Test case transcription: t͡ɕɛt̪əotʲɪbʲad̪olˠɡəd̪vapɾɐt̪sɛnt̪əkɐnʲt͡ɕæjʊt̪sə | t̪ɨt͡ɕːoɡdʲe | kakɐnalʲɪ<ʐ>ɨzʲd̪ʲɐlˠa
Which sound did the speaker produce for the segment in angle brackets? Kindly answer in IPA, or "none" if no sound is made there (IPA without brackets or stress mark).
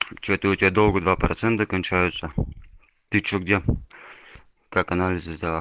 z